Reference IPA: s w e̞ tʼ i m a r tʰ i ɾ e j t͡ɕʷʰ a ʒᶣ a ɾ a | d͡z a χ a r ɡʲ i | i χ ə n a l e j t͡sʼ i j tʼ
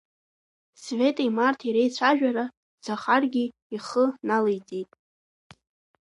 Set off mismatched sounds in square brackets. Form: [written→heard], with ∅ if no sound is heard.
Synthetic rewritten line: s [w→v] e̞ tʼ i m a r tʰ i ɾ e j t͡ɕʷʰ a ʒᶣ a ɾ a | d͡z a χ a r ɡʲ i | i χ ə n a l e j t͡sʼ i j tʼ